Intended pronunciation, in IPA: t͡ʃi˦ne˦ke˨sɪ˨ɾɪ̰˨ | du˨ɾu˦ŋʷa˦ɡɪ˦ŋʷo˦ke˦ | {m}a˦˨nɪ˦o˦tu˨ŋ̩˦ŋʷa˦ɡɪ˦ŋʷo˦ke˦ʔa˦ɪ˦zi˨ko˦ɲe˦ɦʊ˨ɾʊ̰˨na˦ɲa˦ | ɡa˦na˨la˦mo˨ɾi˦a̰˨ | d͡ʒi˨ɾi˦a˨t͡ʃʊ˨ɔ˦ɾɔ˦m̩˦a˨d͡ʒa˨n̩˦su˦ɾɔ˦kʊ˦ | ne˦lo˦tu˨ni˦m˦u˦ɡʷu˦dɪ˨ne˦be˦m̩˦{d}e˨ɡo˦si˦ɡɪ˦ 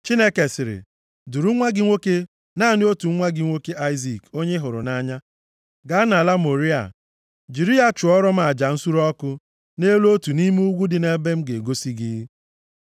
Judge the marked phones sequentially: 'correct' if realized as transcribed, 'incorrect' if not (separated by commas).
incorrect, incorrect